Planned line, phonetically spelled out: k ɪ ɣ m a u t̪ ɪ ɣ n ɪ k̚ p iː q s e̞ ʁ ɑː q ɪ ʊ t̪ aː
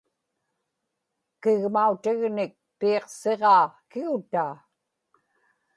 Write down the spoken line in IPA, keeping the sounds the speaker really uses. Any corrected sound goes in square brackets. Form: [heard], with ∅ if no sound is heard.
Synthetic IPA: k ɪ ɣ m a u t̪ ɪ ɣ n ɪ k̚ p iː q s e̞ ʁ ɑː [k] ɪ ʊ t̪ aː